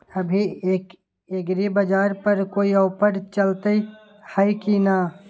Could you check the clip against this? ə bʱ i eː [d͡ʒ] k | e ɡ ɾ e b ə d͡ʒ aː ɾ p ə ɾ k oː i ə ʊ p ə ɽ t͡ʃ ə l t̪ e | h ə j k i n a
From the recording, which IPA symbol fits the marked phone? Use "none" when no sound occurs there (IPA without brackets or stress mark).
none